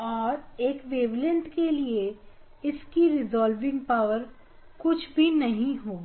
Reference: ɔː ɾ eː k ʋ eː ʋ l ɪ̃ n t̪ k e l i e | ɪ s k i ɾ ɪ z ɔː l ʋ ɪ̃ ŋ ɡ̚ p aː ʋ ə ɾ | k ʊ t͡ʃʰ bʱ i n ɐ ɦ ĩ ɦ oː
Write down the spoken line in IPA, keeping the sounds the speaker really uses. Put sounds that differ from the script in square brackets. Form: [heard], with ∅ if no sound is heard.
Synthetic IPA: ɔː ɾ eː k ʋ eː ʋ l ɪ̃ n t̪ k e l i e | ɪ s k i ɾ ɪ z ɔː l ʋ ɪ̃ ŋ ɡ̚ p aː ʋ ə ɾ | k ʊ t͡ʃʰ bʱ i n ɐ ɦ ĩ ɦ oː

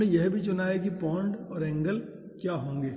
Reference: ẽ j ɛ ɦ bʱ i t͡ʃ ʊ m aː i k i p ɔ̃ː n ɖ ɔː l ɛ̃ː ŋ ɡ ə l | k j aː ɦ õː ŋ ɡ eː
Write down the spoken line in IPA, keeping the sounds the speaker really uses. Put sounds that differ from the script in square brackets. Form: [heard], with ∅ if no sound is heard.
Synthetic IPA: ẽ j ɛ ɦ bʱ i t͡ʃ ʊ [n] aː [e] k i p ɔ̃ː [ɳ] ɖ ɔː [ɾ] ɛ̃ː ŋ ɡ ə l | k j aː ɦ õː ŋ ɡ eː

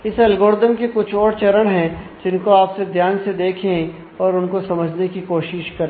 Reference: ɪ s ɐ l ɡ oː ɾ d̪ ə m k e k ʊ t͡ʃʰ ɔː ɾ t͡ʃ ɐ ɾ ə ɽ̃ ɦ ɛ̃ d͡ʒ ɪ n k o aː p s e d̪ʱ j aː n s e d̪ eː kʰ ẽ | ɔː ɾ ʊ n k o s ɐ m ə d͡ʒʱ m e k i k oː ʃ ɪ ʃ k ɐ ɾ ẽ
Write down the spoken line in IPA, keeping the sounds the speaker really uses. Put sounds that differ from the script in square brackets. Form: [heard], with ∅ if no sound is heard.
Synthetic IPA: ɪ s ɐ l ɡ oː ɾ d̪ ə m k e k ʊ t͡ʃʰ ɔː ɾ t͡ʃ ɐ ɾ ə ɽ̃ ɦ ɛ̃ d͡ʒ ɪ n k o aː p s e d̪ʱ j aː n s e d̪ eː kʰ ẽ | ɔː ɾ ʊ n k o s ɐ m ə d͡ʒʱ [n] e k i k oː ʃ ɪ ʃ k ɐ ɾ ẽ

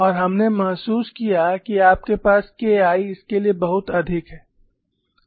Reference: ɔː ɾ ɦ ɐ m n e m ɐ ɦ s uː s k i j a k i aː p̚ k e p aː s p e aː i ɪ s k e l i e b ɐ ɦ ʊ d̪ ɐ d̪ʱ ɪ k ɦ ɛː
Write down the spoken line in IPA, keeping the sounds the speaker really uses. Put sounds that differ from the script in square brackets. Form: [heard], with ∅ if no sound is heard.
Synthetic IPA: ɔː ɾ ɦ ɐ m n e m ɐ ɦ s uː s k i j a k i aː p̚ k e p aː s [k] e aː i ɪ s k e l i e b ɐ ɦ ʊ [t̪] ɐ d̪ʱ ɪ k ɦ ɛː

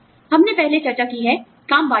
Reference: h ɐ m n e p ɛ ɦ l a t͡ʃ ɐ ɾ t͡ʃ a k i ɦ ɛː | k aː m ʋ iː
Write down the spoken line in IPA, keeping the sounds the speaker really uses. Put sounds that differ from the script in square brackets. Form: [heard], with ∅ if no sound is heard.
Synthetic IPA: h ɐ m n e p ɛ ɦ l [e] t͡ʃ ɐ ɾ t͡ʃ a k i ɦ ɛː | k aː m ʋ [aː]

